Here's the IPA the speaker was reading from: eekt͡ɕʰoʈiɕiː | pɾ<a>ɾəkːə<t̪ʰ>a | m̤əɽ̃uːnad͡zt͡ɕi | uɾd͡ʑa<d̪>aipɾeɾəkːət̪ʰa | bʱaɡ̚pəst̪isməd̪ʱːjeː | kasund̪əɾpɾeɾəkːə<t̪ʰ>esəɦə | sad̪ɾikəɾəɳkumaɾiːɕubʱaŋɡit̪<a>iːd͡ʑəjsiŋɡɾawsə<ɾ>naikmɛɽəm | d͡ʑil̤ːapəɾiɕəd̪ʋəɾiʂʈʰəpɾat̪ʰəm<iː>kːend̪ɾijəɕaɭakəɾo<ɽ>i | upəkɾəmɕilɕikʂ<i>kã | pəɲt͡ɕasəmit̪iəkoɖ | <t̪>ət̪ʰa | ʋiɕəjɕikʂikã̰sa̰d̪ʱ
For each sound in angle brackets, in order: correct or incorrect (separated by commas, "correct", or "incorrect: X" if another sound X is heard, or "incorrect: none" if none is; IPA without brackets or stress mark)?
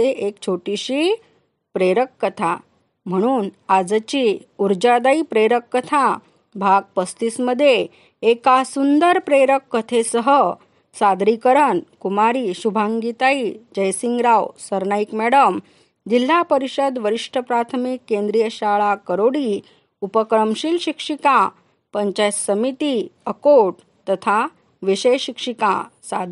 incorrect: e, correct, correct, correct, correct, correct, incorrect: i, correct, correct, correct